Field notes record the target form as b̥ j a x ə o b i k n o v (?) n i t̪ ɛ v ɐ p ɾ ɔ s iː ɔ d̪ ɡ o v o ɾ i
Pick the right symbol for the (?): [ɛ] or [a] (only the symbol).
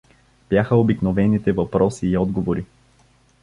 ɛ